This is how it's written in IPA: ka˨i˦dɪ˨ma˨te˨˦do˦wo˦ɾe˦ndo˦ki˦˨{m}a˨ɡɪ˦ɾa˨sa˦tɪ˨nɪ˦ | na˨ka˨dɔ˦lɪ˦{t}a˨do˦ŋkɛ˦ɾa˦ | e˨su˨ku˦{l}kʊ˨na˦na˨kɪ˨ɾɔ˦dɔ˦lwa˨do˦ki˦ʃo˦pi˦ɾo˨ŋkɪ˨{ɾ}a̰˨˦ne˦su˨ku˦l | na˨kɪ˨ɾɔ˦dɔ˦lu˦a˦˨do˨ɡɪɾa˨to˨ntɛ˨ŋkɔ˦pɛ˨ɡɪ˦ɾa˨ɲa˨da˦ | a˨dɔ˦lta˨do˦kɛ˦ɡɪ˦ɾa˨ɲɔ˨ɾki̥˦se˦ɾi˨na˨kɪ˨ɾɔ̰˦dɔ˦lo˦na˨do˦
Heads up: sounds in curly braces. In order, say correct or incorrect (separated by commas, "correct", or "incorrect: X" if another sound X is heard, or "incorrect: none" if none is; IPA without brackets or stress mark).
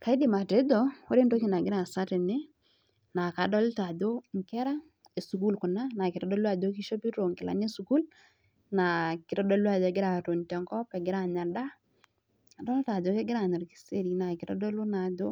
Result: incorrect: n, correct, correct, incorrect: l